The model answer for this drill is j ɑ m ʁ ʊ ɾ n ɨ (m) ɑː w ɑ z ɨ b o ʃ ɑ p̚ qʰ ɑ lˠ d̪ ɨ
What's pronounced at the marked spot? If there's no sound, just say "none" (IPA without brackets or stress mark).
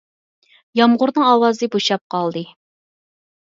ŋ